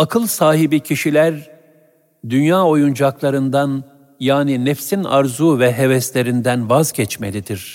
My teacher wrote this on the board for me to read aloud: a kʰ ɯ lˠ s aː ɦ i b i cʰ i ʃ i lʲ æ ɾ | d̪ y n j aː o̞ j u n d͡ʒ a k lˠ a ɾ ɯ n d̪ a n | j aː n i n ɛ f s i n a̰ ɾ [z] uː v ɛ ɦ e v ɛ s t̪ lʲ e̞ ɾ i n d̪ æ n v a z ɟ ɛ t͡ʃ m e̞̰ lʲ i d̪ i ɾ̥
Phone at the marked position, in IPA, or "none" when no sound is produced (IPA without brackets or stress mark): z